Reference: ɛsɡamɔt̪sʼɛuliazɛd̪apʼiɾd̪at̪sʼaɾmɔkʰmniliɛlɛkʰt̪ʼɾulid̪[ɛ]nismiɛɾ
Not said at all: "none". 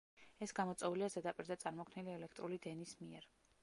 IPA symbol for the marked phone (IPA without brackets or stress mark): ɛ